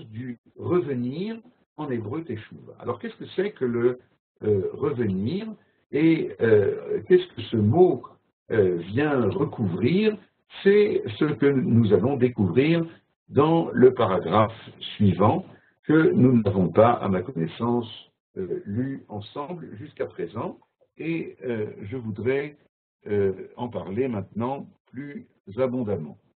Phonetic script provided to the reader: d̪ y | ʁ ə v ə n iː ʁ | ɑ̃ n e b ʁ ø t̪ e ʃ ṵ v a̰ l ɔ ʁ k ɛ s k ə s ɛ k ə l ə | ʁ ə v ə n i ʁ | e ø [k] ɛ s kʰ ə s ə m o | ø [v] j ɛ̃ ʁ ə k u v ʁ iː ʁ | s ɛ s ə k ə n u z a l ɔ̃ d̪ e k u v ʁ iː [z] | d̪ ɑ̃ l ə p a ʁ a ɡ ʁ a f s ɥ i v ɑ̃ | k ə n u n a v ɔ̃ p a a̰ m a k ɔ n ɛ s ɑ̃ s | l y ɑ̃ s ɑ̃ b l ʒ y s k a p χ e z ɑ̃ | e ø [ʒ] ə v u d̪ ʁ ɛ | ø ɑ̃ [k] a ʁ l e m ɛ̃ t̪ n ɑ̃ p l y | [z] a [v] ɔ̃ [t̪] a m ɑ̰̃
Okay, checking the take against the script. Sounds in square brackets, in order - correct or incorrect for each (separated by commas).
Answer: correct, correct, incorrect, correct, incorrect, correct, incorrect, incorrect